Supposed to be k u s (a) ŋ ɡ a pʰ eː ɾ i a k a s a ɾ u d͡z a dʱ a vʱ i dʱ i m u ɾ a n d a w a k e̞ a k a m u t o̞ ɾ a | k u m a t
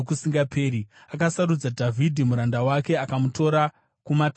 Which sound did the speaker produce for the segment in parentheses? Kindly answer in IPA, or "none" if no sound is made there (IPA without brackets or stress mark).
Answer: i